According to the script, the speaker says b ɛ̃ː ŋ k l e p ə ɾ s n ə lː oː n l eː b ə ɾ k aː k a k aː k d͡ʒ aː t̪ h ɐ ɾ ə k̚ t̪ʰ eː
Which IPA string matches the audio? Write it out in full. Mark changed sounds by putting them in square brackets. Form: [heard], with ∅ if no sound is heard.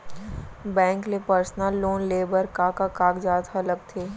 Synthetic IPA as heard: b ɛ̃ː ŋ k l e p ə ɾ s n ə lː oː n l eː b ə ɾ k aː k a k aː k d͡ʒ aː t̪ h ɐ [l] ə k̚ t̪ʰ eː